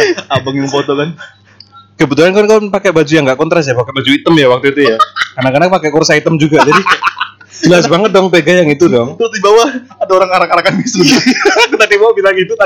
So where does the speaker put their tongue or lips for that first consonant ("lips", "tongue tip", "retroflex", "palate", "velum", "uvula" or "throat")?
lips